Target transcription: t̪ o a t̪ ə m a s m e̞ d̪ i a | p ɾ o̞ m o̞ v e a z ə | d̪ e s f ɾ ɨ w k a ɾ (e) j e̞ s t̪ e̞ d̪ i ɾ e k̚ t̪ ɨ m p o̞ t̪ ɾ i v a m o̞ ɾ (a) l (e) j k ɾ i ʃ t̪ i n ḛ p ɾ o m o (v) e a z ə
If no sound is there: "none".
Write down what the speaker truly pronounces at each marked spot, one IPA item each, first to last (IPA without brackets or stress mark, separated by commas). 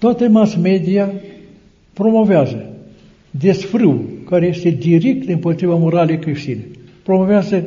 e, a, e, v